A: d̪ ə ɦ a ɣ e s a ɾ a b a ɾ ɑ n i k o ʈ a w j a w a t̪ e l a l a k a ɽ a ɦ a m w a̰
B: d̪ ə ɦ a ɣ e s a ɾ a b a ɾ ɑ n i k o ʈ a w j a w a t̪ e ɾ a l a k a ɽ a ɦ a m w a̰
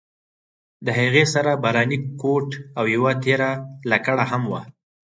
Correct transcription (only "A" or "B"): B